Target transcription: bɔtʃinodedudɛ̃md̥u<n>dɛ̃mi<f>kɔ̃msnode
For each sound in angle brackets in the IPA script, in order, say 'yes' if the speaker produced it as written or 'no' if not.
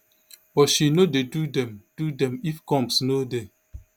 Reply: no, yes

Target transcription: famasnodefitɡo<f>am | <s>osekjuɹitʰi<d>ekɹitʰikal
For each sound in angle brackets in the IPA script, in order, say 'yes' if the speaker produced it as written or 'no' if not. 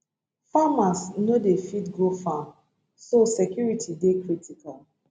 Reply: yes, yes, yes

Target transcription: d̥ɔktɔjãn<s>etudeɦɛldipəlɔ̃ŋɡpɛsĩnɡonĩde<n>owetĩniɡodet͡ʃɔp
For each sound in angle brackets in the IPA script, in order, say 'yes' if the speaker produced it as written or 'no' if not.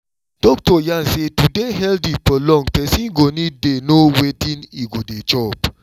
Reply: yes, yes

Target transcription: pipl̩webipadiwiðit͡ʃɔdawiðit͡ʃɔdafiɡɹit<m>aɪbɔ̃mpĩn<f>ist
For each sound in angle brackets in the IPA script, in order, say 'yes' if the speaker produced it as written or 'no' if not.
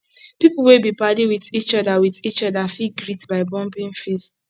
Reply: no, yes

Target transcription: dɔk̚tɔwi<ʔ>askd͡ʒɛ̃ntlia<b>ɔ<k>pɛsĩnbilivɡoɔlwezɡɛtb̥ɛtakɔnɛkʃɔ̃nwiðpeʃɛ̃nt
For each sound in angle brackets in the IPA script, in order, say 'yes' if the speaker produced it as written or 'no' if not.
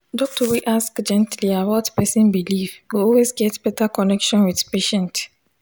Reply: yes, no, no

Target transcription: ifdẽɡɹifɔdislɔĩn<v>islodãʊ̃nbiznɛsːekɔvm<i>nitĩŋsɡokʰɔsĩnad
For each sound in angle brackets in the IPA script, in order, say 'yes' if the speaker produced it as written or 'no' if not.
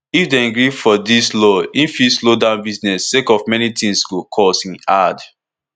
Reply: no, no

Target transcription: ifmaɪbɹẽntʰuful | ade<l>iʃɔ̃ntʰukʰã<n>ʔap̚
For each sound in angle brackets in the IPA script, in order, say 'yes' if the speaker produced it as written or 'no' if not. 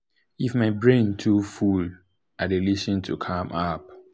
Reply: yes, no

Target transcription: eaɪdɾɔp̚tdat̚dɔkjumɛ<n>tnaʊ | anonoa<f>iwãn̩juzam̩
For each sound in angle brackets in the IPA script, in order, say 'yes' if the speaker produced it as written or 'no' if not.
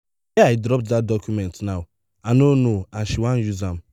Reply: yes, no

